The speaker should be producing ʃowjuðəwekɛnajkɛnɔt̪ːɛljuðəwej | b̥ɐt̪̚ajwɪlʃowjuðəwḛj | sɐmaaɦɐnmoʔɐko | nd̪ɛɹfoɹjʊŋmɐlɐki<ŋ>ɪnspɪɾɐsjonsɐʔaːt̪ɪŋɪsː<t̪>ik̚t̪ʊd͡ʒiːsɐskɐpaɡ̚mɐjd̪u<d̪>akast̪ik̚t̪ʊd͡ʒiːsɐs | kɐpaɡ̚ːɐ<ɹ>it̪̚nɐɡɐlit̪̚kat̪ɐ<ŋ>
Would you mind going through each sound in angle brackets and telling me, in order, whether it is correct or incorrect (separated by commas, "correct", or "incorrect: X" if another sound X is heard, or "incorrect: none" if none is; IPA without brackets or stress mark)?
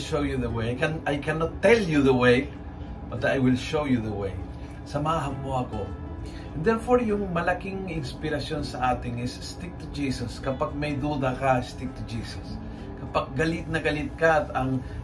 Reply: correct, correct, correct, incorrect: l, correct